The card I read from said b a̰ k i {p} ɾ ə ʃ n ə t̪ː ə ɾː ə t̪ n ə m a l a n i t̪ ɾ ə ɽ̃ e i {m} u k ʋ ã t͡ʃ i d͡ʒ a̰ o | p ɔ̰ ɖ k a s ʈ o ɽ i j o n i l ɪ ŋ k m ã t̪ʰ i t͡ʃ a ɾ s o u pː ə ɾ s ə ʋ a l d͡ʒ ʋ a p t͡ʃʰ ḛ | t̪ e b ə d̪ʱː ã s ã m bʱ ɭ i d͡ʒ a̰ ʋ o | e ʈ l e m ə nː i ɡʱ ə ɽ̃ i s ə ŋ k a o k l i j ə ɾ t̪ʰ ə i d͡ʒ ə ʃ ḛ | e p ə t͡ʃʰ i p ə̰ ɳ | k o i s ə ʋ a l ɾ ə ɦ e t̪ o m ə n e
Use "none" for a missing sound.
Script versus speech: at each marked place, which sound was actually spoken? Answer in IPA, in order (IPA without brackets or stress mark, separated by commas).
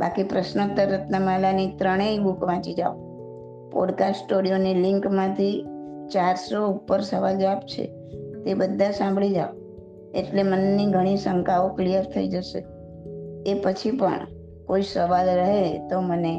p, b